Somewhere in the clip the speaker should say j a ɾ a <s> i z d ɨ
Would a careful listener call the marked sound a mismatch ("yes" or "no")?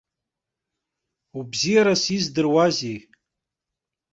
no